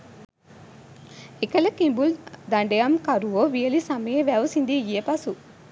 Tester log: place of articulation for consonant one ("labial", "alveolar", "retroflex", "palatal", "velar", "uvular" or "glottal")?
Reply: velar